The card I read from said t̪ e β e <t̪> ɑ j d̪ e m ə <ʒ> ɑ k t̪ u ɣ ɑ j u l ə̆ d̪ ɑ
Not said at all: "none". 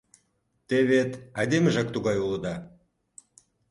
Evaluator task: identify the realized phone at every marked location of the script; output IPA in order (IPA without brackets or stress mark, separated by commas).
t̪, ʒ